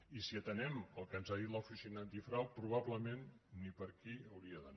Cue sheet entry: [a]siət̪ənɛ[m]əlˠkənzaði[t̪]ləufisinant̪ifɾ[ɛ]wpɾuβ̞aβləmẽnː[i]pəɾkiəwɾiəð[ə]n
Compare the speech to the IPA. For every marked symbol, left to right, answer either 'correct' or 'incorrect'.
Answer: incorrect, correct, correct, incorrect, correct, correct

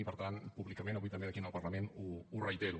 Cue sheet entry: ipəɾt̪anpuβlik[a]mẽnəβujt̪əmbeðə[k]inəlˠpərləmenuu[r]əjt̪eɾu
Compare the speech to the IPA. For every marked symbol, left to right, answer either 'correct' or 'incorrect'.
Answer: incorrect, correct, correct

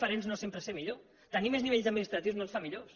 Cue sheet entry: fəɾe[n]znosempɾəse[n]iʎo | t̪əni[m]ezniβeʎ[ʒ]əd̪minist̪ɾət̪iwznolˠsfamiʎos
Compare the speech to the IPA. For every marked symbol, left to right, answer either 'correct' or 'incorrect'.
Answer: correct, incorrect, correct, incorrect

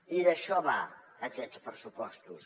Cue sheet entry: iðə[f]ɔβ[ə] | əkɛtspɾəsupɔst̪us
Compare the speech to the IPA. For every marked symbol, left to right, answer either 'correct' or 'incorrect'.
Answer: incorrect, incorrect

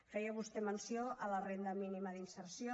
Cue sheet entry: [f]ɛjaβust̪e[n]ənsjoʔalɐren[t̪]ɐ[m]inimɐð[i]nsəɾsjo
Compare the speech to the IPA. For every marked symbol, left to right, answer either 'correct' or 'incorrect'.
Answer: correct, incorrect, incorrect, correct, correct

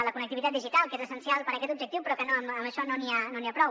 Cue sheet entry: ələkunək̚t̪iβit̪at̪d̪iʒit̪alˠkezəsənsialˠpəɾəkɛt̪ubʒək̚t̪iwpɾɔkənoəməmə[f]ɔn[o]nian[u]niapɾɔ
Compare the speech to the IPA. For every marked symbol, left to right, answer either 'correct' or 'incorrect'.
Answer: incorrect, correct, incorrect

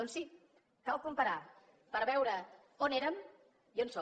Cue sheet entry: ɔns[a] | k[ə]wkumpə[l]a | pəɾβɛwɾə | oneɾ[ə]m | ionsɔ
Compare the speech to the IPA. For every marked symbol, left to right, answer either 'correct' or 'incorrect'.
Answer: incorrect, incorrect, incorrect, correct

